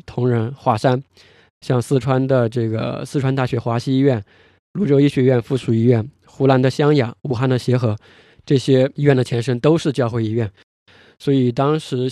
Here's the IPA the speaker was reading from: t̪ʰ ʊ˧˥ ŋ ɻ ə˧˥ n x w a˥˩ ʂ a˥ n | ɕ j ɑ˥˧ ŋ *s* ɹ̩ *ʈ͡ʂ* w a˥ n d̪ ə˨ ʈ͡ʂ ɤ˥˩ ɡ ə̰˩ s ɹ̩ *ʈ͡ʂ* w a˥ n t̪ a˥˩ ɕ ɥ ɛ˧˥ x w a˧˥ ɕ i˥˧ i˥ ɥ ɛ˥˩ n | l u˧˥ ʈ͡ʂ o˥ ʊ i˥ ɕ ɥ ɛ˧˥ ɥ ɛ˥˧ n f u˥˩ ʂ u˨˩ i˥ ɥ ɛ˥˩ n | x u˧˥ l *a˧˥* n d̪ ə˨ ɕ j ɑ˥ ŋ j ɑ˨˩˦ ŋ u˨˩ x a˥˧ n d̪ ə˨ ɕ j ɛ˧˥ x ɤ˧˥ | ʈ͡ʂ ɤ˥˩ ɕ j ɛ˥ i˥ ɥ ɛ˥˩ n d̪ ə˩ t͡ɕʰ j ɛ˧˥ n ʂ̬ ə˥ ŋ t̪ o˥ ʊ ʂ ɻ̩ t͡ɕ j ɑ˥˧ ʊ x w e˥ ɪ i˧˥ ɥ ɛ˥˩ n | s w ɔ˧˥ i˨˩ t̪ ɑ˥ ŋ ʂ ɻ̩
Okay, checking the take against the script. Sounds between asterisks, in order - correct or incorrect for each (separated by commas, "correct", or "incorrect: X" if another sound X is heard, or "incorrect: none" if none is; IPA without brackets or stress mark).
correct, incorrect: ʈ͡ʂʰ, incorrect: ʈ͡ʂʰ, correct